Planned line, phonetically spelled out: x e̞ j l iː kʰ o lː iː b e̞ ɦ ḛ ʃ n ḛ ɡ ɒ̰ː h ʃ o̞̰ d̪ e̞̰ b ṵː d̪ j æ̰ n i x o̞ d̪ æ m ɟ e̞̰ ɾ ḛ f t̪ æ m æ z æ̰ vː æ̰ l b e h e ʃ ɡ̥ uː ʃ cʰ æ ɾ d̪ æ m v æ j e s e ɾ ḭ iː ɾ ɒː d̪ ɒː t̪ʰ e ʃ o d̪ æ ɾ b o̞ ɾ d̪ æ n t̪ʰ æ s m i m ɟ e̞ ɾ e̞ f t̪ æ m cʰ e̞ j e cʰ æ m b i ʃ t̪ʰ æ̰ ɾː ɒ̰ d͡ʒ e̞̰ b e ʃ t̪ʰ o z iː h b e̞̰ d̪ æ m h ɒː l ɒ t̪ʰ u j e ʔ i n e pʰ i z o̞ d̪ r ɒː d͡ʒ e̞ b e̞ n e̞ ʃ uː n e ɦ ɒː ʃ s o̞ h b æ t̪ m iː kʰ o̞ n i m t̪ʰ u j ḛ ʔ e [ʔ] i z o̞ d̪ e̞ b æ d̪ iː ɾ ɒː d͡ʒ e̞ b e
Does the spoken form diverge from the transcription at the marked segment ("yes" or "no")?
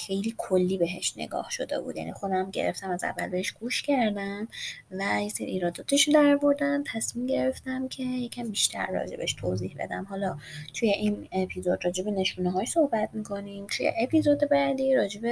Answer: yes